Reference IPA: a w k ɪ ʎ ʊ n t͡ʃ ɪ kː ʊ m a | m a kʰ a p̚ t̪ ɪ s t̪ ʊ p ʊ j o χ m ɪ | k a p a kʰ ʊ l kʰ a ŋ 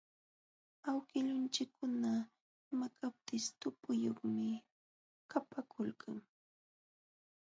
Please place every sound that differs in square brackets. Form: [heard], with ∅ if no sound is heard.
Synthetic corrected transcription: a w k ɪ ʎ ʊ n t͡ʃ ɪ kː ʊ [n] a | m a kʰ a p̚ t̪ ɪ s t̪ ʊ p ʊ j o χ m ɪ | k a p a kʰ ʊ l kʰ a ŋ